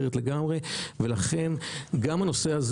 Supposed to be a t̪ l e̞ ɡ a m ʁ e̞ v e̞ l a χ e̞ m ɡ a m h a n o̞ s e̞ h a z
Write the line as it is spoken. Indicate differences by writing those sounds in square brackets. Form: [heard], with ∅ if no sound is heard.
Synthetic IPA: [e] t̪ l e̞ ɡ a m ʁ e̞ v e̞ l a χ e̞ [n] ɡ a m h a n o̞ s e̞ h a z